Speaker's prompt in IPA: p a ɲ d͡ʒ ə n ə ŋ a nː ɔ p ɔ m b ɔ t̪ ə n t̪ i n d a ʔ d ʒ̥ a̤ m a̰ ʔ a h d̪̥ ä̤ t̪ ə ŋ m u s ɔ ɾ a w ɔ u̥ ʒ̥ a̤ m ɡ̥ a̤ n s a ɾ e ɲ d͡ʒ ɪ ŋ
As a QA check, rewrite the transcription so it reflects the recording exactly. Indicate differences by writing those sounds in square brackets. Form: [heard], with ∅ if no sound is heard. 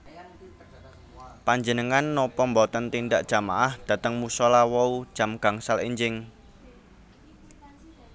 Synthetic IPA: p a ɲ d͡ʒ ə n ə ŋ a nː ɔ p ɔ m b ɔ t̪ ə n t̪ i n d a ʔ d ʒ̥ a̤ m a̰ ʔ a h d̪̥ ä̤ t̪ ə ŋ m u s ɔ [l] a w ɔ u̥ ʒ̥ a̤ m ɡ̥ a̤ [ŋ] s a [l] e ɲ d͡ʒ ɪ ŋ